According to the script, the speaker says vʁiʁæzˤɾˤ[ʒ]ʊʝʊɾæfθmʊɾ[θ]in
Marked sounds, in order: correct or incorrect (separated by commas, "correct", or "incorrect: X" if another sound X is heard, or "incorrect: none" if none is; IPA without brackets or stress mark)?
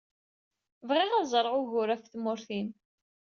incorrect: ʁ, correct